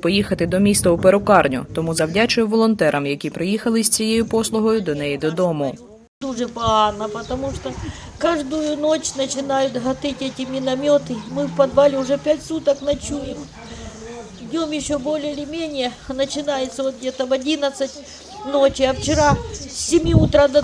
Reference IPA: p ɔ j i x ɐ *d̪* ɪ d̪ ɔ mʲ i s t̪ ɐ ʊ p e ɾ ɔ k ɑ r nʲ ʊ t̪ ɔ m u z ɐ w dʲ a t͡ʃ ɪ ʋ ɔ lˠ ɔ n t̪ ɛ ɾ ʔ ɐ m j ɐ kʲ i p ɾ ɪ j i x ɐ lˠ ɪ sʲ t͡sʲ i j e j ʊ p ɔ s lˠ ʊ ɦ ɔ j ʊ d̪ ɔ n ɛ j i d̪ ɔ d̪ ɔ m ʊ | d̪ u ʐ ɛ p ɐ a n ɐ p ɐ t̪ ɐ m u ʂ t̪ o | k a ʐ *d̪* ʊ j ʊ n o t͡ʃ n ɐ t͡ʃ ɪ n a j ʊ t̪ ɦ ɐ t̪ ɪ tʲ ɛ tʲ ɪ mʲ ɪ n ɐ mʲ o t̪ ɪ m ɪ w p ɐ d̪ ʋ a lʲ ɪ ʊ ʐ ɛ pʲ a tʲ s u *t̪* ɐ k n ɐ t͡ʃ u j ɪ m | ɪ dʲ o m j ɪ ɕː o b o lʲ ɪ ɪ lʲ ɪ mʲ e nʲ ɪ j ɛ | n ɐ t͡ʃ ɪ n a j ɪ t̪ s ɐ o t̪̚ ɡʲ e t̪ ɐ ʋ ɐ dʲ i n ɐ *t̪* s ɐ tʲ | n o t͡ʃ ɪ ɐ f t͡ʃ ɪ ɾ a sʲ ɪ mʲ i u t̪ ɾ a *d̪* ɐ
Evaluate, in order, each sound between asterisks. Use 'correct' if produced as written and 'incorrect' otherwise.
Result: incorrect, correct, correct, correct, correct

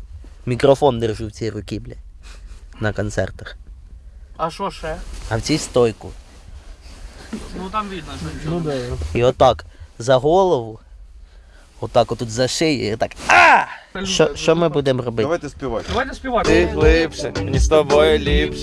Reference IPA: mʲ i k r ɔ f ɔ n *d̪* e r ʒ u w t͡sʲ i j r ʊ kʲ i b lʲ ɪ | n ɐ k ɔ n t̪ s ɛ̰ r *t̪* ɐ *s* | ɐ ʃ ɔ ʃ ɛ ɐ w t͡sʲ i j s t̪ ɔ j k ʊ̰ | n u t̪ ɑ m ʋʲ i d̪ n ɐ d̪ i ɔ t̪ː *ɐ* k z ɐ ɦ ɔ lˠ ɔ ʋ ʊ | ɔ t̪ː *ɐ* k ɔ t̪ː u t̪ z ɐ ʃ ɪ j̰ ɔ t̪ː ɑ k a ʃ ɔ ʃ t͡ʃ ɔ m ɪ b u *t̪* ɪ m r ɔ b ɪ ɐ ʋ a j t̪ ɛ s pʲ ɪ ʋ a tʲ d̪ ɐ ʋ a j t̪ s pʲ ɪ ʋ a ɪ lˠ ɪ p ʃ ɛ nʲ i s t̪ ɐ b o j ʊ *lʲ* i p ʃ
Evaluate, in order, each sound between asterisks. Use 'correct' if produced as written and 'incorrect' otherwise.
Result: correct, correct, incorrect, incorrect, incorrect, incorrect, correct

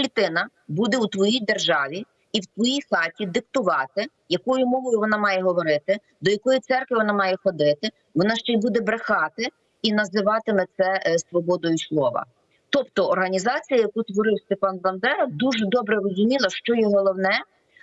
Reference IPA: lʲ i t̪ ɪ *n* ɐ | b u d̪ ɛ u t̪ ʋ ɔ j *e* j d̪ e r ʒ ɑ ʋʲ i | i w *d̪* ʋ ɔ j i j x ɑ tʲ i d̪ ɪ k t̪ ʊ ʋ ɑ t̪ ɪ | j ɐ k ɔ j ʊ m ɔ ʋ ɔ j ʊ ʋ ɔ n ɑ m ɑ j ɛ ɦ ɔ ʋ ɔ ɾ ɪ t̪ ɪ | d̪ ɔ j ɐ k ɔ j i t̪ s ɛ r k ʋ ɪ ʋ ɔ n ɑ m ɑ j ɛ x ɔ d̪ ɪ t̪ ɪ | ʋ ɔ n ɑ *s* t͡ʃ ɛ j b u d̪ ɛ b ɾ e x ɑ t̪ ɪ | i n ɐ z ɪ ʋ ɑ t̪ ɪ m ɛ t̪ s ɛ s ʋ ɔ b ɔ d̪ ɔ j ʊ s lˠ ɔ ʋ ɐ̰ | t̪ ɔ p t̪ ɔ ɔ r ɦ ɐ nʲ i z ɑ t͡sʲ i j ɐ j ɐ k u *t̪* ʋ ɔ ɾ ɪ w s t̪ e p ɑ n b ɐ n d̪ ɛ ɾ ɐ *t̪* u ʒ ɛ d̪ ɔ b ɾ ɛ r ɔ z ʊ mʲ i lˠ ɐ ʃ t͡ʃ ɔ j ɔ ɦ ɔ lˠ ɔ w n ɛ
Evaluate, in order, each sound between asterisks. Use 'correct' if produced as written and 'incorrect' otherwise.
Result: correct, incorrect, incorrect, incorrect, correct, incorrect

